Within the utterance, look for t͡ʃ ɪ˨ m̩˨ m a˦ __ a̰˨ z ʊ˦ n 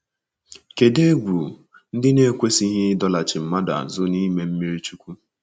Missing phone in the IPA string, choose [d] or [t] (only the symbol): d